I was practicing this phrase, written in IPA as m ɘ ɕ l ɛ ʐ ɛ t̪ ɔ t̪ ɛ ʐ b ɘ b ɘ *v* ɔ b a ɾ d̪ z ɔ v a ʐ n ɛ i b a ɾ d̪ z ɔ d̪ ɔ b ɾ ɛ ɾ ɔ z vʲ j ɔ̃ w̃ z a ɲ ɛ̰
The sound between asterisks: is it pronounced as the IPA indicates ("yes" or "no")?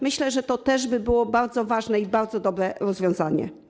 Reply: no